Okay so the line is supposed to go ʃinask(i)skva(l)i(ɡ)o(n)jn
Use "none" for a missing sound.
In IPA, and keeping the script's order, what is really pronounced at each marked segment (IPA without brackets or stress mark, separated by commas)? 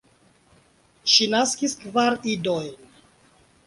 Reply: i, ɾ, d, none